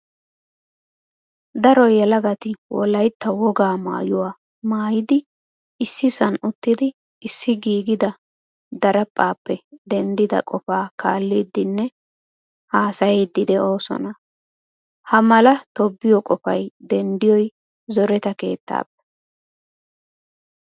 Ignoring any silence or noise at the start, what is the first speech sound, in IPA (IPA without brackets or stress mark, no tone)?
d̪